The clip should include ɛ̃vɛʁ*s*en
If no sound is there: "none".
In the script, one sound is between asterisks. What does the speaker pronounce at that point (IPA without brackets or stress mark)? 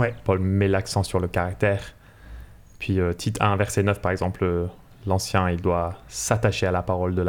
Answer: s